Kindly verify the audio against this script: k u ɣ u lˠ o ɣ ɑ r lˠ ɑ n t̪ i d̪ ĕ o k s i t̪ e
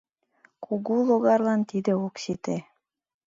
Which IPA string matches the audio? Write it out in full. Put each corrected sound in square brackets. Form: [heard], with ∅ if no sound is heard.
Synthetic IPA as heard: k u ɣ u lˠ o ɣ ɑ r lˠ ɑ n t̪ i d̪ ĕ o k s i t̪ e